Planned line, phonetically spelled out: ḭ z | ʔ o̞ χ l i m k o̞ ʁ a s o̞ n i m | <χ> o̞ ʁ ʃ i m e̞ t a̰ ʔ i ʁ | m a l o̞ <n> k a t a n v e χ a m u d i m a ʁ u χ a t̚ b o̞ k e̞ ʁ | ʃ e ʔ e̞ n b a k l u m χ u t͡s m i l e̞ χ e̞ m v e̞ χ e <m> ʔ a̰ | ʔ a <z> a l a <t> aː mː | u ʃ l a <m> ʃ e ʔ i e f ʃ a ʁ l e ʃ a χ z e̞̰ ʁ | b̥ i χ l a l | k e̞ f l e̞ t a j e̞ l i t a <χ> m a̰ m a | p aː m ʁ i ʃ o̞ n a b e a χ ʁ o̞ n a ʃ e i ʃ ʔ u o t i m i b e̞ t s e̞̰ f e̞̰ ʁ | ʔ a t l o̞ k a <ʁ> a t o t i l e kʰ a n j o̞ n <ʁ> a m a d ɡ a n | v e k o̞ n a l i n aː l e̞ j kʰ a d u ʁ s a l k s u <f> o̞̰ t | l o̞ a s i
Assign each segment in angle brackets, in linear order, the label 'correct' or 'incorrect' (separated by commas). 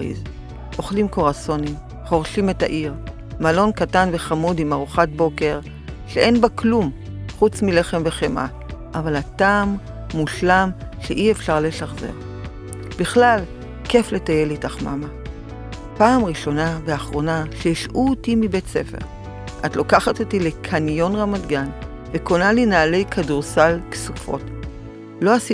correct, correct, correct, incorrect, correct, correct, correct, incorrect, correct, correct